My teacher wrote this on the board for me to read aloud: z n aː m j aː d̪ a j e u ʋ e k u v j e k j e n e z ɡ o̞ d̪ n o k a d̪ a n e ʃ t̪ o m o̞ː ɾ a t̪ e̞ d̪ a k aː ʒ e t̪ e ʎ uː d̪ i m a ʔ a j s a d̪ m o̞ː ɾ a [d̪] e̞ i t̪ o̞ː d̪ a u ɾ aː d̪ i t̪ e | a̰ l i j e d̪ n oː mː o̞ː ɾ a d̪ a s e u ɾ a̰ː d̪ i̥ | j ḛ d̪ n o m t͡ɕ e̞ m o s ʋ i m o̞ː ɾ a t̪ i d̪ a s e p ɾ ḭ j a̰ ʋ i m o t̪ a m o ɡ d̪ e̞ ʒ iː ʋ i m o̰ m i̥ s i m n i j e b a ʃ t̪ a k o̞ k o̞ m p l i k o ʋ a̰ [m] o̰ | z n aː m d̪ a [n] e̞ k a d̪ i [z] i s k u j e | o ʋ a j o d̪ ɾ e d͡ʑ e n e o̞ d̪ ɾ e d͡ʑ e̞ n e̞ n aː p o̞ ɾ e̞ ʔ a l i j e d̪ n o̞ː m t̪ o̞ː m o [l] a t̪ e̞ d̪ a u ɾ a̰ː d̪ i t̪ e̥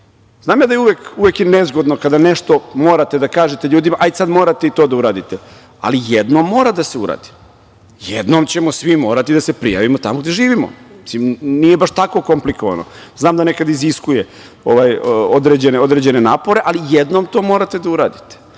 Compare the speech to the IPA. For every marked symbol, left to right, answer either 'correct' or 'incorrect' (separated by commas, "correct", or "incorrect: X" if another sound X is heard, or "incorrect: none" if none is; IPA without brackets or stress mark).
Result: incorrect: t̪, incorrect: n, correct, correct, incorrect: ɾ